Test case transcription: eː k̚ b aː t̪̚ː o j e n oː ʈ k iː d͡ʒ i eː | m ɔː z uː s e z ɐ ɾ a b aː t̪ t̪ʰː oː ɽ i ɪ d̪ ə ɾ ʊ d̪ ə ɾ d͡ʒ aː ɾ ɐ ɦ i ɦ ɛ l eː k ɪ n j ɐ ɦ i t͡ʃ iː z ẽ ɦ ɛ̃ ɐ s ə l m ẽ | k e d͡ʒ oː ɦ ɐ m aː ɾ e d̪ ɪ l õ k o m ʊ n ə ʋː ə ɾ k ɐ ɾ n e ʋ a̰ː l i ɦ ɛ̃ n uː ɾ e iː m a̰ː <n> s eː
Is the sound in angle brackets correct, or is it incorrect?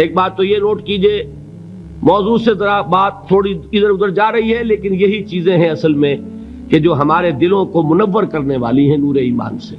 correct